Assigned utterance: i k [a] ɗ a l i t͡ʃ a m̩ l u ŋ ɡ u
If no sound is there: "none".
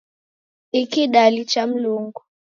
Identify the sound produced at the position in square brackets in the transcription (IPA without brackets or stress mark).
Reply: i